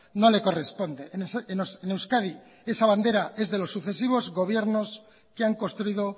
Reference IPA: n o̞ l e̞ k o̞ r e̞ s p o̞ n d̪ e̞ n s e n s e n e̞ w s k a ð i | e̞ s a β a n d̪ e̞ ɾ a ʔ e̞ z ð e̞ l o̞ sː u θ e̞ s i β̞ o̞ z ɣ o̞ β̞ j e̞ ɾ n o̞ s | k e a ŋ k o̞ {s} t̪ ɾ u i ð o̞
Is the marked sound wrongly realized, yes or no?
no